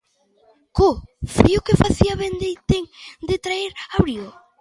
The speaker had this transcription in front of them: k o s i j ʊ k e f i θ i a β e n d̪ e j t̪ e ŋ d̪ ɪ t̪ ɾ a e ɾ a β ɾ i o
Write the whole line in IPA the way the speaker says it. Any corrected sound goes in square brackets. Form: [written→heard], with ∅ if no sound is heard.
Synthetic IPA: k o [s→f] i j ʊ k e f [i→a] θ i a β e n d̪ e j t̪ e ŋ d̪ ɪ t̪ ɾ a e ɾ a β ɾ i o